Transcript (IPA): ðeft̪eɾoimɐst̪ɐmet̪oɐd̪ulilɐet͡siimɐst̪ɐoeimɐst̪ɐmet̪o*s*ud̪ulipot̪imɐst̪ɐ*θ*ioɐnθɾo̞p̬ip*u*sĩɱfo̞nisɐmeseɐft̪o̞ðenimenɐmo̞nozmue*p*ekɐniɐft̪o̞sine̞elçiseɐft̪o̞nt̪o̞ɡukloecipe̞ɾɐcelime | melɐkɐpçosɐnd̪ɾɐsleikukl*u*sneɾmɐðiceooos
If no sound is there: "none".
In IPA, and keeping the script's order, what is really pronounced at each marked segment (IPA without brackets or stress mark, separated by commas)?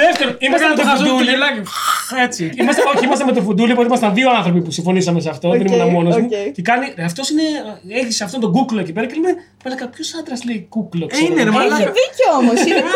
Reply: f, ð, u, c, o